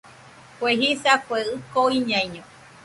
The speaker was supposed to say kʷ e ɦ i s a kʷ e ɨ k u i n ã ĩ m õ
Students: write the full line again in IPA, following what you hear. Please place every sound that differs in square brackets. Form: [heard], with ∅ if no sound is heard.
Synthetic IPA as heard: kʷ e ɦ i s a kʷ e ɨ k [o] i [ɲ] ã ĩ [ɲ] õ